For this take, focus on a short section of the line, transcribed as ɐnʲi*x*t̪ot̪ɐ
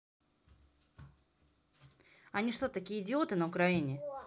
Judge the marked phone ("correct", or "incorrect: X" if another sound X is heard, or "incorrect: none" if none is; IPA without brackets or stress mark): incorrect: ʂ